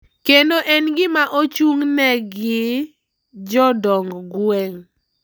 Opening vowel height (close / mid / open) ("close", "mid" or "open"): mid